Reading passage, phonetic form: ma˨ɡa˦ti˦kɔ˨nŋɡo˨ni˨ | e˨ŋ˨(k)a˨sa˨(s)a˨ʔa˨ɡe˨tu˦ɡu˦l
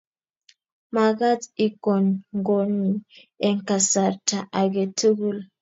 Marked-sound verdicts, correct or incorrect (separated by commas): correct, incorrect